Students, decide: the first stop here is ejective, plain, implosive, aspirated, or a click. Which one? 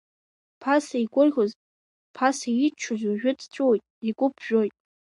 aspirated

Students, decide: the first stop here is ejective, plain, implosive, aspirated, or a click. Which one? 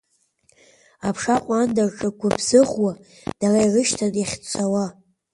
aspirated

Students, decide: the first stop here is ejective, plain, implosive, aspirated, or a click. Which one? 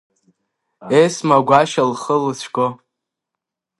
plain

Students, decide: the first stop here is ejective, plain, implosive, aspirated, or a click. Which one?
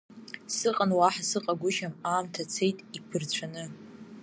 ejective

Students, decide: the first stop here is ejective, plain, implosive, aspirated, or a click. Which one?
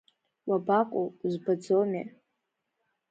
plain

